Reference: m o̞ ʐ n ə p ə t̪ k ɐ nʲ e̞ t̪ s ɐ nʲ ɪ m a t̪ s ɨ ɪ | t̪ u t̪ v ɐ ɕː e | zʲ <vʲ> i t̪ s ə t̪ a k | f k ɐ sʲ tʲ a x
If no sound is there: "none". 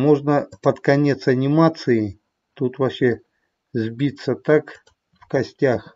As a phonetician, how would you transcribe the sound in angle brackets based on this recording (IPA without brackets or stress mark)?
bʲ